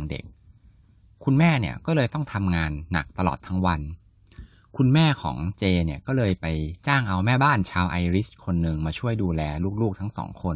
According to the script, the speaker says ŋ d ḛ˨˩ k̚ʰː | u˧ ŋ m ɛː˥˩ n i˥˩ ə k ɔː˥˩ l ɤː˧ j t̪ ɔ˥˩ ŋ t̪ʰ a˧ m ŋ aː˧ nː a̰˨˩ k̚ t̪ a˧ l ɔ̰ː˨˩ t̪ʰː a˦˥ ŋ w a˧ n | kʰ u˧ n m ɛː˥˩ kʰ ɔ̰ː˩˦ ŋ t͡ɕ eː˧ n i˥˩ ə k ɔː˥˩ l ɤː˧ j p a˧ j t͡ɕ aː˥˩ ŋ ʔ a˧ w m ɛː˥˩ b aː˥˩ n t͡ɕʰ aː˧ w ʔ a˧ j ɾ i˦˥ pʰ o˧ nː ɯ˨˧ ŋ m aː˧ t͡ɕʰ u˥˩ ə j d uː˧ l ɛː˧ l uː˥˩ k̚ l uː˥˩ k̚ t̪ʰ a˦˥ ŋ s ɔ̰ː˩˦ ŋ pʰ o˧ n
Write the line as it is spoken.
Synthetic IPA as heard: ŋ d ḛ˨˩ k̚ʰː | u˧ n m ɛː˥˩ n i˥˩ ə k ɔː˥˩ l ɤː˧ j t̪ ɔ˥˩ ŋ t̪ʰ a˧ m ŋ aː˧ nː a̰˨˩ k̚ t̪ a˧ l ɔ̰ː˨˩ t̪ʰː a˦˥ ŋ w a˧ n | kʰ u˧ n m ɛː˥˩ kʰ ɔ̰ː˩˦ ŋ t͡ɕ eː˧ n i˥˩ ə k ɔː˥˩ l ɤː˧ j p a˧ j t͡ɕ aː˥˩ ŋ ʔ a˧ w m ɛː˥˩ b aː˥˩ n t͡ɕʰ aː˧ w ʔ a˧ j ɾ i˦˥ kʰ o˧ nː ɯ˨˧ ŋ m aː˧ t͡ɕʰ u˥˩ ə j d uː˧ l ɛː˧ l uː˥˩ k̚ l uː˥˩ k̚ t̪ʰ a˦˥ ŋ s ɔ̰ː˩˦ ŋ kʰ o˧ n